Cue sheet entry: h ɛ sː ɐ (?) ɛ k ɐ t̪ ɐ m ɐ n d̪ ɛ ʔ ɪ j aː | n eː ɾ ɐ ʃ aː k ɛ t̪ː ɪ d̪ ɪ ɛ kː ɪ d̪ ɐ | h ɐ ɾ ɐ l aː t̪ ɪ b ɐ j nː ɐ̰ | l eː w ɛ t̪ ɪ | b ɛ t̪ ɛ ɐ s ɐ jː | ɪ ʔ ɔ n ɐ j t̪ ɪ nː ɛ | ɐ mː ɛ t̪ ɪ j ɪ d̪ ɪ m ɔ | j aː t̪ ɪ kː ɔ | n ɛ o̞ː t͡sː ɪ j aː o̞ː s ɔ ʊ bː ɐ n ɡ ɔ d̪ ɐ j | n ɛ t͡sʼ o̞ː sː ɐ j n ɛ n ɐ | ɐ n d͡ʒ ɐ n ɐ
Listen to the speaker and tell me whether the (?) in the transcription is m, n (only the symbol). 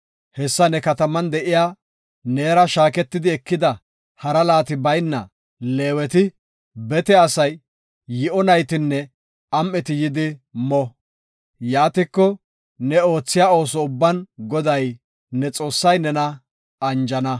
n